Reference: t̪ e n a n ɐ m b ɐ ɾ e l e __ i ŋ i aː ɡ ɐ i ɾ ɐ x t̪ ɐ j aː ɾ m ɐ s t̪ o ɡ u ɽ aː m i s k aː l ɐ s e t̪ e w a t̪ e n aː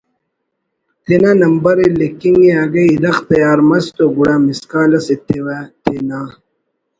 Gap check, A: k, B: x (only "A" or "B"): A